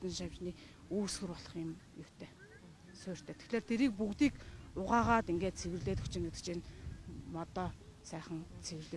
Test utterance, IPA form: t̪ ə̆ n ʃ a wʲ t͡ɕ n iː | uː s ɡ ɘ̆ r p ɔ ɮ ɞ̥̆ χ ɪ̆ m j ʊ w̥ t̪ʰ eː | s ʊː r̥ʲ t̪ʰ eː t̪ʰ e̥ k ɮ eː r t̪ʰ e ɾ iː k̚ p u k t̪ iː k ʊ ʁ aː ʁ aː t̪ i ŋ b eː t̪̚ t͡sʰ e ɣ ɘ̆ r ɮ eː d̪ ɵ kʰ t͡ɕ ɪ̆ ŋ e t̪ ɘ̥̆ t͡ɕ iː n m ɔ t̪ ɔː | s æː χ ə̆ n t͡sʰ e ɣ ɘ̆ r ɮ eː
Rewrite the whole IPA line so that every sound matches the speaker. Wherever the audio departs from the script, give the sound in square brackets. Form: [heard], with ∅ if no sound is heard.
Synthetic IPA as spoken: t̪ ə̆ n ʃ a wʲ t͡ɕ n iː | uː s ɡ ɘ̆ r p ɔ ɮ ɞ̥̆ χ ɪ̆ m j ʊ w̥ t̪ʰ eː | s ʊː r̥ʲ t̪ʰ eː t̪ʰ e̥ [x] ɮ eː r t̪ʰ e ɾ iː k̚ p u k t̪ iː k ʊ ʁ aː ʁ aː t̪ i ŋ [ɡ] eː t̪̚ t͡sʰ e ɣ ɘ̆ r ɮ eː [t̪] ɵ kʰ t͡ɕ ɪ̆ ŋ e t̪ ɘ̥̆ t͡ɕ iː n m ɔ t̪ ɔː | s æː χ ə̆ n t͡sʰ e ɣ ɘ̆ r ɮ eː

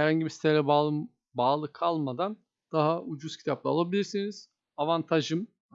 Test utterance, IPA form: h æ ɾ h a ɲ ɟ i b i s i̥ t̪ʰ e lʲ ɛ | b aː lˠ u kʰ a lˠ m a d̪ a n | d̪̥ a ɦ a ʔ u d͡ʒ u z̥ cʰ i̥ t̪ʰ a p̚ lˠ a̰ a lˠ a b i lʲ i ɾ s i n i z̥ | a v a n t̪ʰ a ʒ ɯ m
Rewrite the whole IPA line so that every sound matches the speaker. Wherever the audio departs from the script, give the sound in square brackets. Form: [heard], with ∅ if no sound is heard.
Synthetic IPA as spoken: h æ ɾ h a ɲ ɟ i b i s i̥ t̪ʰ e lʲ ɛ | b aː lˠ [ɯ] kʰ a lˠ m a d̪ a n | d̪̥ a ɦ a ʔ u d͡ʒ u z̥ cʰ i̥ t̪ʰ a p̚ lˠ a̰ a lˠ a b i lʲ i ɾ s i n i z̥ | a v a n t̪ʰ a ʒ ɯ m

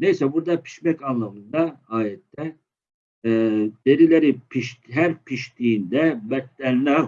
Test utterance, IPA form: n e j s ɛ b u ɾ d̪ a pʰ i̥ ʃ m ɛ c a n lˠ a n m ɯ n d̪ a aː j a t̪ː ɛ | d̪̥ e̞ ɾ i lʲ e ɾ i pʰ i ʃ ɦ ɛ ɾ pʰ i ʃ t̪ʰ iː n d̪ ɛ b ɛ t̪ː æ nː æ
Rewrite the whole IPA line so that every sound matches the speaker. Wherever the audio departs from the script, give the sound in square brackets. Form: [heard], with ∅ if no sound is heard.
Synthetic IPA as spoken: n e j s ɛ b u ɾ d̪ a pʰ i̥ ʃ m ɛ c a n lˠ a [∅] m ɯ n d̪ a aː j [ɛ] t̪ː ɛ | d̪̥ e̞ ɾ i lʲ e ɾ i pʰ i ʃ ɦ [æ] ɾ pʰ i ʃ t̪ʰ iː n d̪ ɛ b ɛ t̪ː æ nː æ

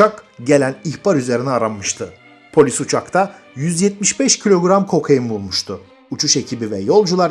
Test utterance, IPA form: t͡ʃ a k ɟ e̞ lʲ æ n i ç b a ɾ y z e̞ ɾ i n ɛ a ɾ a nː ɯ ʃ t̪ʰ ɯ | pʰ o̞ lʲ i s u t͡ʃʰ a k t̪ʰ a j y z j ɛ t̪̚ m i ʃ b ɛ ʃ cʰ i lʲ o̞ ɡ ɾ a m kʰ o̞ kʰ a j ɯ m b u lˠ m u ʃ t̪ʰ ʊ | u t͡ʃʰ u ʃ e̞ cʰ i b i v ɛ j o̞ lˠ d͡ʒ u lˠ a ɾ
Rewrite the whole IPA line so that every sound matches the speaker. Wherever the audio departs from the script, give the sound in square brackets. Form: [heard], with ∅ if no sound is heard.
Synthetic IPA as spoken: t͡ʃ a k ɟ e̞ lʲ æ n i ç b a ɾ y z e̞ ɾ i n ɛ a ɾ a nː ɯ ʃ t̪ʰ ɯ | pʰ o̞ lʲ i s u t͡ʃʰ a k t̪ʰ a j y z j ɛ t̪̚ m i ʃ b ɛ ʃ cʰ i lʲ o̞ ɡ ɾ a m kʰ o̞ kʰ a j ɯ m b u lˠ m u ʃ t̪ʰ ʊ | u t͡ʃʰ u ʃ e̞ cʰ i b i v ɛ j o̞ lˠ d͡ʒ u lˠ a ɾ

